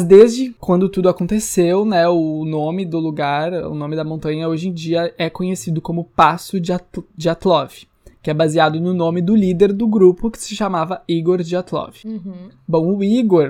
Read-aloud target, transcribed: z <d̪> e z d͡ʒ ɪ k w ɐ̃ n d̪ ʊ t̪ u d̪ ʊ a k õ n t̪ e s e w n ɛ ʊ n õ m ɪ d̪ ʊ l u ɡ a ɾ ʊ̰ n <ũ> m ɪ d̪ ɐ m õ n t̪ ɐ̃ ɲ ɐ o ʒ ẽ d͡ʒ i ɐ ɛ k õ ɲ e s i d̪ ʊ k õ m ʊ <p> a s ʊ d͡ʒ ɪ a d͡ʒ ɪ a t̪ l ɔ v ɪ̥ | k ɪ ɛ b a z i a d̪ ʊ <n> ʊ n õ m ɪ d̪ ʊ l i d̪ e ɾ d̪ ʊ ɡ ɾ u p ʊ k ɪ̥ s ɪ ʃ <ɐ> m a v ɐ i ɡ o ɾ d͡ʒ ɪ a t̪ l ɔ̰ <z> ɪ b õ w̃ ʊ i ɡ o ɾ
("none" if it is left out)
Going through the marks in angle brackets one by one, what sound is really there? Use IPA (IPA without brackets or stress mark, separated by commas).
d̪, õ, p, n, a, v